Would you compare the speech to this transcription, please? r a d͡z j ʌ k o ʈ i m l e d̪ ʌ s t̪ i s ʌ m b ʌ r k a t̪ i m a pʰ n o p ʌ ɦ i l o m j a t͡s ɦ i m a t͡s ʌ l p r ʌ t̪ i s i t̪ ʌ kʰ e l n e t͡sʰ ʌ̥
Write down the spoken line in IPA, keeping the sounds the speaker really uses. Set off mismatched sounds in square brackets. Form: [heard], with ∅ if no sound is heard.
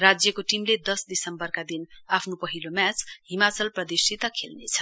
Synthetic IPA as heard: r a d͡z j ʌ k o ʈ i m l e d̪ ʌ s [d̪] i s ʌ m b ʌ r k a [d̪] i [n] a pʰ n o p ʌ ɦ i l o m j a t͡s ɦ i m a t͡s ʌ l p r ʌ [d̪] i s i t̪ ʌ kʰ e l n e t͡sʰ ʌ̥